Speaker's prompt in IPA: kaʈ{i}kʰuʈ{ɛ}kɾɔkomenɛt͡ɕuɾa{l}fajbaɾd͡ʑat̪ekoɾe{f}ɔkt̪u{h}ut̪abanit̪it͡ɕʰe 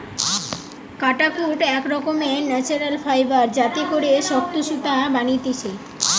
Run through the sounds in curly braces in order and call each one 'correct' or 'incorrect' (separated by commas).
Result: incorrect, correct, correct, incorrect, incorrect